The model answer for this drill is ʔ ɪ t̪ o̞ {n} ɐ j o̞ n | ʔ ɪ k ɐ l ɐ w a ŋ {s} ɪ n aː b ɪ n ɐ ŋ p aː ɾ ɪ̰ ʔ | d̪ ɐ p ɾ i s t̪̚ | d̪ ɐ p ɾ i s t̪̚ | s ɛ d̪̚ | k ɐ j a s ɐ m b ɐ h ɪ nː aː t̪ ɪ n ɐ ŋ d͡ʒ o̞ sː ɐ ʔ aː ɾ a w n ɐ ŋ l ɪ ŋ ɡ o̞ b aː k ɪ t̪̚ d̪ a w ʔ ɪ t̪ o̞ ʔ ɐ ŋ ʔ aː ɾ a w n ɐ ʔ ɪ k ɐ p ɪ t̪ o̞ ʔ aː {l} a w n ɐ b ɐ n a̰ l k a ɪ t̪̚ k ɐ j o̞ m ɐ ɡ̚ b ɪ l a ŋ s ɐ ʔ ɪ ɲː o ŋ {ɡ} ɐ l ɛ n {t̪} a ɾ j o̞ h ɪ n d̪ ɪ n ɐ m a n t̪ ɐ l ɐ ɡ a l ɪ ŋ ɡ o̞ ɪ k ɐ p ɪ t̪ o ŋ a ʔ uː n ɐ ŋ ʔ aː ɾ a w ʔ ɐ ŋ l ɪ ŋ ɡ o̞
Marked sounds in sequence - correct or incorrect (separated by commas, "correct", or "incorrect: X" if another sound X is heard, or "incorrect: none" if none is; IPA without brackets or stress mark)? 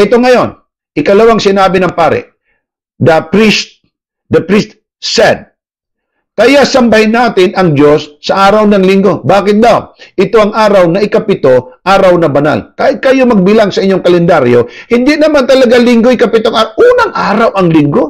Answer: incorrect: ŋ, correct, incorrect: ɾ, incorrect: k, incorrect: d̪